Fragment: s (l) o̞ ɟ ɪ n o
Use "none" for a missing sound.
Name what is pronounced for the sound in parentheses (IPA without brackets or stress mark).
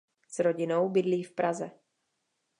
ɾ